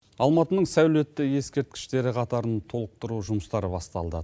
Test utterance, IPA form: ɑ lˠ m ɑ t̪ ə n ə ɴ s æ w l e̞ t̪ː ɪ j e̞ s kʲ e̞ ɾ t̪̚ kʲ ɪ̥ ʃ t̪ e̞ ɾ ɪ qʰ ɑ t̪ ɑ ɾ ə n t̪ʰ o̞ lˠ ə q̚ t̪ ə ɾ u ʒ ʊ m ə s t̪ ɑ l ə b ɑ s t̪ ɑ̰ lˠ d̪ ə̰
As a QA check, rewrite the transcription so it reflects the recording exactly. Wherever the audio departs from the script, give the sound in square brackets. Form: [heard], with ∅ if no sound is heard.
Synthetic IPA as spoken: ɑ lˠ m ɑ t̪ ə n ə ɴ s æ w l e̞ t̪ː ɪ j e̞ s kʲ e̞ ɾ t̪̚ kʲ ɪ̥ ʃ t̪ e̞ ɾ ɪ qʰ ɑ t̪ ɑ ɾ ə n t̪ʰ o̞ lˠ ə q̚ t̪ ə ɾ u ʒ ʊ m ə s t̪ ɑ [ɾ] ə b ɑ s t̪ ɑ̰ lˠ d̪ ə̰